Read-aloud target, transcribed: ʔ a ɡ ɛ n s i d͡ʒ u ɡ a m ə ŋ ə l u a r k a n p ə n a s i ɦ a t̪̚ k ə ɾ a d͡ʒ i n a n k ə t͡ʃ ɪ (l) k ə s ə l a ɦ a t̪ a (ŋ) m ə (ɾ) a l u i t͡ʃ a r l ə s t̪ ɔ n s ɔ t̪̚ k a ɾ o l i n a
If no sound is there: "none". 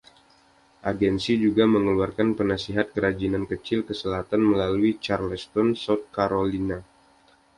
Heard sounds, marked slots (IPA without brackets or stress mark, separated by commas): l, n, l